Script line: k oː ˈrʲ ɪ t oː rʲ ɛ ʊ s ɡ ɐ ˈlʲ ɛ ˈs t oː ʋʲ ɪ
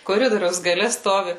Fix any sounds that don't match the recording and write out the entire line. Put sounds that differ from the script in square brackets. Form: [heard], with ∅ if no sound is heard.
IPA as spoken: k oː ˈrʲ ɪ [d] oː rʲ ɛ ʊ s ɡ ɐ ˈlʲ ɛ ˈs t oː ʋʲ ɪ